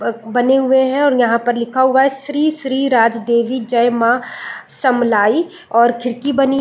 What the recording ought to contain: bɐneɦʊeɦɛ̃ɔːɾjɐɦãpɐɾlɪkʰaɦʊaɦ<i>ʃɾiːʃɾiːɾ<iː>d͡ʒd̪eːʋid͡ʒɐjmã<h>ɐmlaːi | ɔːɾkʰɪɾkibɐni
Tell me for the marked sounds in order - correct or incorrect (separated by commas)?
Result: incorrect, incorrect, incorrect